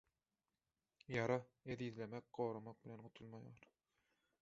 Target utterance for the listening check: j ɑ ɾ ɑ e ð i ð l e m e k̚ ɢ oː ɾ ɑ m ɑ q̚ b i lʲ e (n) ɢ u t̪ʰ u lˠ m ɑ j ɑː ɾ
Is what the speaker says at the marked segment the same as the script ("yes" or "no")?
yes